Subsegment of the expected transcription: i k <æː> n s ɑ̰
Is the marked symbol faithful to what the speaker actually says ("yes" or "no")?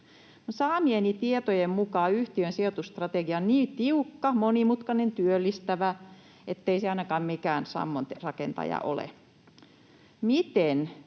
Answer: yes